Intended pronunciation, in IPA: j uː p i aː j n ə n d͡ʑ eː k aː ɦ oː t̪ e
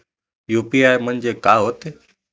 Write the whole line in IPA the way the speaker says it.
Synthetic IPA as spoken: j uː p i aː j m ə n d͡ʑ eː k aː ɦ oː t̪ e